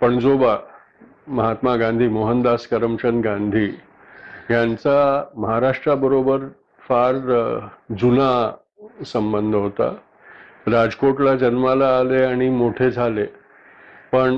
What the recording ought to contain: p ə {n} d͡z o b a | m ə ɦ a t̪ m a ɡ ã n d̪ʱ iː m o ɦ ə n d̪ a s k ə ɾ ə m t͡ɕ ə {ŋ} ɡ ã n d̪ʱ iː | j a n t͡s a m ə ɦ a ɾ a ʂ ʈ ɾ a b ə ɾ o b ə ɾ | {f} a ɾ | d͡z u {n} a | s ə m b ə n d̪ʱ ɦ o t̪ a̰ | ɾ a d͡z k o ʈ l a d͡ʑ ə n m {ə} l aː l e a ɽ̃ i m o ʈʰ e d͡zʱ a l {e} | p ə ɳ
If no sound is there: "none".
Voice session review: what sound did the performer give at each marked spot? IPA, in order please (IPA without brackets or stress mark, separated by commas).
ɳ, n, f, n, a, e